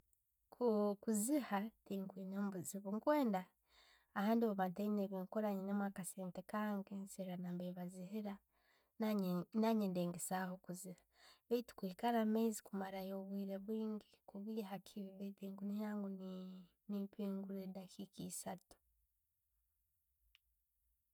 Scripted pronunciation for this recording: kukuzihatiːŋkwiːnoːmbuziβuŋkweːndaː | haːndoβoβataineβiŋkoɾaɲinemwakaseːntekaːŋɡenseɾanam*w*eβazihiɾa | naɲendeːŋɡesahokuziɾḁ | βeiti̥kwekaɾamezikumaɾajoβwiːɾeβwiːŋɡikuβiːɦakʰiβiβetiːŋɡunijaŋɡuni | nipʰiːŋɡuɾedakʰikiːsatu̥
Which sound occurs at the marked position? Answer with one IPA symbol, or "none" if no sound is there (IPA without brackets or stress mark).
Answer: b